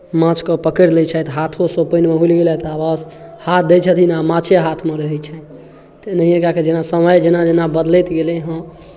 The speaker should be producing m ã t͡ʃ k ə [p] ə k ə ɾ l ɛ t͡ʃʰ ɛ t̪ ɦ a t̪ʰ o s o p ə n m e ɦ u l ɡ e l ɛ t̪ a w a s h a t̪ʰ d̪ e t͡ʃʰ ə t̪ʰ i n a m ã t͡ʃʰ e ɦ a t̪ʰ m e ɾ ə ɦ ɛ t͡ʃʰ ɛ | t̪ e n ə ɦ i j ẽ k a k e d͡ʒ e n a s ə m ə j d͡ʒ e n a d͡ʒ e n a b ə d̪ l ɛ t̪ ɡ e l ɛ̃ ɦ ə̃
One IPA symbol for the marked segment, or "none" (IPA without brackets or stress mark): p